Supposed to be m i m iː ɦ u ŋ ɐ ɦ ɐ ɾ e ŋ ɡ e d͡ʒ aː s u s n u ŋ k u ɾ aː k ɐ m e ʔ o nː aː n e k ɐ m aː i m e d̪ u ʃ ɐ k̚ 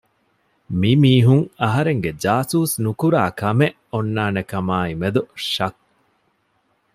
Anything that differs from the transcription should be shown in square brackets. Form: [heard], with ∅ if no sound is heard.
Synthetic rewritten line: m i m iː ɦ u ŋ ɐ ɦ ɐ ɾ e ŋ ɡ e d͡ʒ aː s [uː] s n u [∅] k u ɾ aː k ɐ m e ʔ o nː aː n e k ɐ m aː i m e d̪ u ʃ ɐ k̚

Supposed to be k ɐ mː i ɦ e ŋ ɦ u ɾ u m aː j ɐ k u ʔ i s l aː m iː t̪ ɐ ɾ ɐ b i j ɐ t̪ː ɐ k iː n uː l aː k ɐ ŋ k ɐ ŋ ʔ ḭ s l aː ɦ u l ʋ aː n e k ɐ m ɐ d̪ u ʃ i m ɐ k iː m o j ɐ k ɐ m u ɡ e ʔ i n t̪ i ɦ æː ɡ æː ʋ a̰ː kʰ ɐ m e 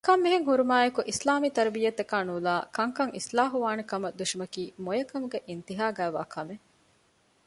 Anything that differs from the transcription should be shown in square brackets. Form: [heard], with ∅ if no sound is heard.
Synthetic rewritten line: k ɐ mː i ɦ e ŋ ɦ u ɾ u m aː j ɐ k u ʔ i s l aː m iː t̪ ɐ ɾ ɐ b i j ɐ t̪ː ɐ k [aː] n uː l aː k ɐ ŋ k ɐ ŋ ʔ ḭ s l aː ɦ u [∅] ʋ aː n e k ɐ m ɐ d̪ u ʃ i m ɐ k iː m o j ɐ k ɐ m u ɡ e ʔ i n t̪ i ɦ [aː] ɡ æː ʋ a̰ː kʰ ɐ m e

